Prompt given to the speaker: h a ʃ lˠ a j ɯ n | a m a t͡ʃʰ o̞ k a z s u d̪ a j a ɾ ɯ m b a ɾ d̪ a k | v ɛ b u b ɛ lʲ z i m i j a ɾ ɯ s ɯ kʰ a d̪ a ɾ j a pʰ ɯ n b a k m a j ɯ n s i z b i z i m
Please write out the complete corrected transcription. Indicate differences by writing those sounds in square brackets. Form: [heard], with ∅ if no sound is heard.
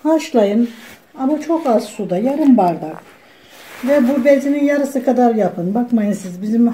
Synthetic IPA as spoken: h a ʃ lˠ a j ɯ n | a m a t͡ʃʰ o̞ k a z s u d̪ a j a ɾ ɯ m b a ɾ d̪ a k | v ɛ b u b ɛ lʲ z i [n] i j a ɾ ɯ s ɯ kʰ a d̪ a ɾ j a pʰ ɯ n b a k m a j ɯ n s i z b i z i m